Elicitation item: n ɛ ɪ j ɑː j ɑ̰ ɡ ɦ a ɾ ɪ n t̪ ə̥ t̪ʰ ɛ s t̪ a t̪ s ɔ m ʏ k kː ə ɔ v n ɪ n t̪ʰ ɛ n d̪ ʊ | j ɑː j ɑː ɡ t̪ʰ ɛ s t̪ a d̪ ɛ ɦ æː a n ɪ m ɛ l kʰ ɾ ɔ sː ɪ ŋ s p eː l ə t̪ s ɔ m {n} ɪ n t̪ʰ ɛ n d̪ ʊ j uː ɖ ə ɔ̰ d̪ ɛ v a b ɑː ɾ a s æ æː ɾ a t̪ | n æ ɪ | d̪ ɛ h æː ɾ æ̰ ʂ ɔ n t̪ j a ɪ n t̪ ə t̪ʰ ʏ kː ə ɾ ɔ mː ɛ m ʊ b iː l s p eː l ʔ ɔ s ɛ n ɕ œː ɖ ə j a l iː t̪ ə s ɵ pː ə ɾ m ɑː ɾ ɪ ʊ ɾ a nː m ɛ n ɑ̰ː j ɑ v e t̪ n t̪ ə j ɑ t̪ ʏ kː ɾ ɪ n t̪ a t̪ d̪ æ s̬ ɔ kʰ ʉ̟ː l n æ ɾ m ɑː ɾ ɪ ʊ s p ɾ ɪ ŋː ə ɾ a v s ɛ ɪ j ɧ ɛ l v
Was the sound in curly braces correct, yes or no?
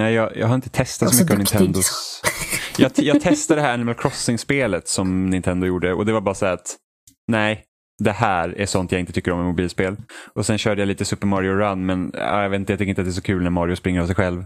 yes